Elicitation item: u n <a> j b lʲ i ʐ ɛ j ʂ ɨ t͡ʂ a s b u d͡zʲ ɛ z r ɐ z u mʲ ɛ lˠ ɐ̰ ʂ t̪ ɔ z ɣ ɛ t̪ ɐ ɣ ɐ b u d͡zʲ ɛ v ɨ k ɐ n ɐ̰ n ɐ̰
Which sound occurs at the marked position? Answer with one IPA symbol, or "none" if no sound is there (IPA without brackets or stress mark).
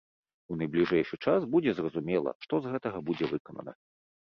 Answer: ɐ